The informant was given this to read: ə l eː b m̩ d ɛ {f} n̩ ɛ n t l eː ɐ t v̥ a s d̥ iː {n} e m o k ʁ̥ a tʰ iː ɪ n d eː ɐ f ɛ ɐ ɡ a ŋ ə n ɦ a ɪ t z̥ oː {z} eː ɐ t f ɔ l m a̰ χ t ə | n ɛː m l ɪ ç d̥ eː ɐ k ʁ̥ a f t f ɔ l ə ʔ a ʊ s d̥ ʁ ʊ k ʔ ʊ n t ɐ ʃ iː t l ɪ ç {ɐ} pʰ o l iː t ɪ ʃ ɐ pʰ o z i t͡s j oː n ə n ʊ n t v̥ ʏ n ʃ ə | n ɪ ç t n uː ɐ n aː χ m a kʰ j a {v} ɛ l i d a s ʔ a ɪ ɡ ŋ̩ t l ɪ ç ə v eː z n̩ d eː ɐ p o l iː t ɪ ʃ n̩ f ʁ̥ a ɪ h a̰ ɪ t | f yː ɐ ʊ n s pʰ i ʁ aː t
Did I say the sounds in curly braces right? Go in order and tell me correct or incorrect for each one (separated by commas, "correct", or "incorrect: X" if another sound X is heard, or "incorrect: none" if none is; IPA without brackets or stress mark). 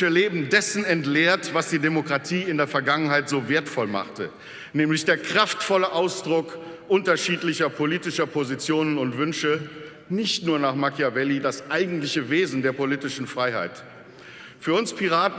incorrect: s, incorrect: d, incorrect: v, correct, correct